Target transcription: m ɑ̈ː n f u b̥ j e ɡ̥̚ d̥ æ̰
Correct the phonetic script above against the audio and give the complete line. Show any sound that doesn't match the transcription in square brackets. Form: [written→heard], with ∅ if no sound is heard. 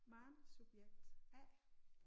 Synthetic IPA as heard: m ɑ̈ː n [f→s] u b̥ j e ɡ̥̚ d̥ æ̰